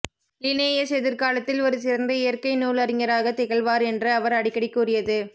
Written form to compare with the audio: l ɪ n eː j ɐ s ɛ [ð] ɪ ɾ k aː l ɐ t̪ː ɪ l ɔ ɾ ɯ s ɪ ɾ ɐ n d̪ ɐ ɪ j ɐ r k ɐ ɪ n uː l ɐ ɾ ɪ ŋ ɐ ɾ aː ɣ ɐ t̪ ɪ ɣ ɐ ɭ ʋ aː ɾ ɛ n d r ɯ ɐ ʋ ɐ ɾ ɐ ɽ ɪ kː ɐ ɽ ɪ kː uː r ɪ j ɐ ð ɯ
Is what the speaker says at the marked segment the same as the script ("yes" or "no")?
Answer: yes